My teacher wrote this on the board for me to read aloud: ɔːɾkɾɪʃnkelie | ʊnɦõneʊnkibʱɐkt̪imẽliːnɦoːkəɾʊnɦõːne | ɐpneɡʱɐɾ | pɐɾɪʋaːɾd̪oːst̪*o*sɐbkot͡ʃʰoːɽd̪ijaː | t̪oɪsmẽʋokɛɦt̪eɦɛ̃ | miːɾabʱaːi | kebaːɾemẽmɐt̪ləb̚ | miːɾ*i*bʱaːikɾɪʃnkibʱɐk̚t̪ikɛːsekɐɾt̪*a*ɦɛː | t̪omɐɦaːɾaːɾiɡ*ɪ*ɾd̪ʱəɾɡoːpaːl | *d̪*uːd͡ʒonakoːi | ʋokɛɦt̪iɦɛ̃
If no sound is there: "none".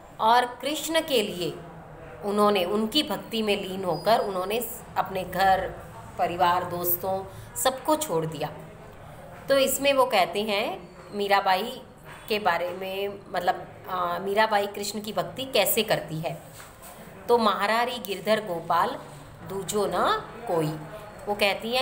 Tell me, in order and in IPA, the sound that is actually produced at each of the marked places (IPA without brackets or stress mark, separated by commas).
õ, a, i, ɪ, d̪